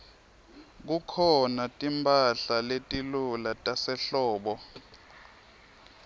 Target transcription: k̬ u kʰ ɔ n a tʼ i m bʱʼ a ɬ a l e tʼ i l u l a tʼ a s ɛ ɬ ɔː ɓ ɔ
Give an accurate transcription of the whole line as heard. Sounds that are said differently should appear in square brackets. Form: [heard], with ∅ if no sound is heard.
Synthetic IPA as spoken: k̬ u kʰ ɔ n a tʼ i m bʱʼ a ɬ a l e tʼ i l u l a tʼ a s ɛ ɬ ɔː ɓ ɔ